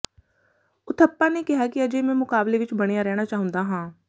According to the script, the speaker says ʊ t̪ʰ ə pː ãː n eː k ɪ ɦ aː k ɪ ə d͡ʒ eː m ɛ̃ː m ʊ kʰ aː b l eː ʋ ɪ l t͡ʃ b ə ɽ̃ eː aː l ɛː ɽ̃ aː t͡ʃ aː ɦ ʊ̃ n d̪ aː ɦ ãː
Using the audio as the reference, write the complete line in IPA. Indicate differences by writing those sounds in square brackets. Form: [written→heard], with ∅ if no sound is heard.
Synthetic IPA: ʊ t̪ʰ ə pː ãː n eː k ɪ ɦ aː k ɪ ə d͡ʒ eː m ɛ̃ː m ʊ [kʰ→k] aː b l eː ʋ ɪ [l→∅] t͡ʃ b ə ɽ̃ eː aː [l→ɾ] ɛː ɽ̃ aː t͡ʃ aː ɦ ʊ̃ n d̪ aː ɦ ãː